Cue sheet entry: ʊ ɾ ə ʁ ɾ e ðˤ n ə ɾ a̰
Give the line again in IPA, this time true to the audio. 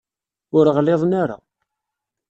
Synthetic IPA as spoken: ʊ ɾ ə ʁ l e ðˤ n a ɾ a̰